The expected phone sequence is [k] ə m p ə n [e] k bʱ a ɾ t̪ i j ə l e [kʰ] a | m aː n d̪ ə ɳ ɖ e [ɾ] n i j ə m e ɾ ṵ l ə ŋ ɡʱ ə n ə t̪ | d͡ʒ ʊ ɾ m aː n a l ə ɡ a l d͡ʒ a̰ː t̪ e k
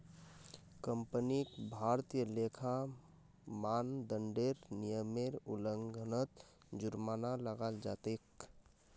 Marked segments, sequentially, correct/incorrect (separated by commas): correct, incorrect, correct, correct